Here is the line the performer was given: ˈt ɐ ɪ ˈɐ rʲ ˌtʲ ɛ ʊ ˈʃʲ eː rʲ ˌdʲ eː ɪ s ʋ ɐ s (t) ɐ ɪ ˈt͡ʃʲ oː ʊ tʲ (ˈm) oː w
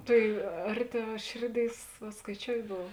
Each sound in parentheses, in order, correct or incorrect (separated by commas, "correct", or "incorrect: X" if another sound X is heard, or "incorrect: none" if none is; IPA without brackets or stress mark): incorrect: k, incorrect: b